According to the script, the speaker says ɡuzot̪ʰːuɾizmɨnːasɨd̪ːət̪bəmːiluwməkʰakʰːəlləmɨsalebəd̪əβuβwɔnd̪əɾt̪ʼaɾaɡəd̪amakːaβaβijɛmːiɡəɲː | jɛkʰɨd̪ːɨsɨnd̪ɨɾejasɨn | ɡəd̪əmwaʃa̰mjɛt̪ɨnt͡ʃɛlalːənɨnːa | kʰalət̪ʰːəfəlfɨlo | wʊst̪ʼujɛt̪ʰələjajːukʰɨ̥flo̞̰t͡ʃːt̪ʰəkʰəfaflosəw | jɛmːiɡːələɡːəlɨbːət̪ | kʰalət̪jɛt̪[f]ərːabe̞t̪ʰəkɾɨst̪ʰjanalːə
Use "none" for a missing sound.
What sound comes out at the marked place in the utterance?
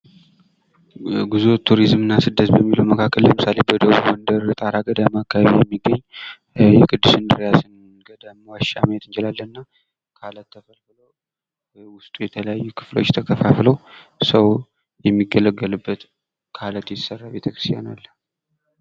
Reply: s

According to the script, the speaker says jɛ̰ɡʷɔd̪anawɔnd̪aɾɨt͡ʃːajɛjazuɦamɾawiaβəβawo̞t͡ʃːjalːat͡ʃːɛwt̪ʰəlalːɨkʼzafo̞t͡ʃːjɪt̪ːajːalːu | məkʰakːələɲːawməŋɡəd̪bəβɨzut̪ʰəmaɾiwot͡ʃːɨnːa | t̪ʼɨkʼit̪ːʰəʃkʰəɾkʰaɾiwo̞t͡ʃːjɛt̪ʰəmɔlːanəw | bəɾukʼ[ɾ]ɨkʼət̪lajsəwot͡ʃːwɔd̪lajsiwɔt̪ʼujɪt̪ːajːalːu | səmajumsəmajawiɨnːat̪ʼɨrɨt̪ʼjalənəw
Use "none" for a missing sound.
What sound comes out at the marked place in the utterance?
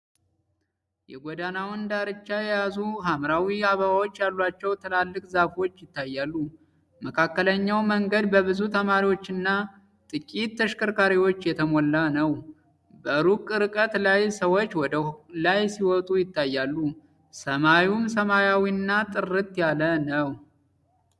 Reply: ɾ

